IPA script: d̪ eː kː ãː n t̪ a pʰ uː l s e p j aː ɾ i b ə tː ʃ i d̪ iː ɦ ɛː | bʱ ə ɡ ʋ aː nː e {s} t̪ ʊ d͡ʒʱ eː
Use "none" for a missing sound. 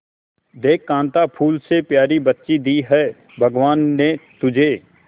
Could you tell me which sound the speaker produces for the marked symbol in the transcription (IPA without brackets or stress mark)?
none